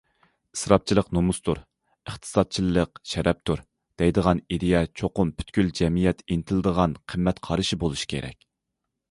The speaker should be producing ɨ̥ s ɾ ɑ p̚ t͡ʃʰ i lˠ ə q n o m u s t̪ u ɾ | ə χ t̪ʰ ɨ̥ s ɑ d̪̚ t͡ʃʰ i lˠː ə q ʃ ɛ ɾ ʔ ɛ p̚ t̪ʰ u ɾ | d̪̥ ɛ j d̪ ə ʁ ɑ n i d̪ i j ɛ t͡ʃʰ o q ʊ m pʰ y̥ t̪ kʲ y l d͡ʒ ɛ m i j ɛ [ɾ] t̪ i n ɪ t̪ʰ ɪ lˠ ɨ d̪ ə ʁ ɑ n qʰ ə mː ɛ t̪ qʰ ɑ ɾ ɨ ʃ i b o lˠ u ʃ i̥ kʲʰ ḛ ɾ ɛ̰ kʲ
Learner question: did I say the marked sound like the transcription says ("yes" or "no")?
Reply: no